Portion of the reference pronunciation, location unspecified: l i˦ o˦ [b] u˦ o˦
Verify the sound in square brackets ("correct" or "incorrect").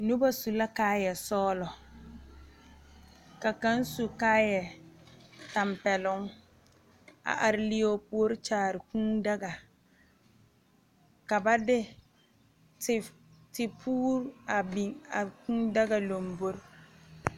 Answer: incorrect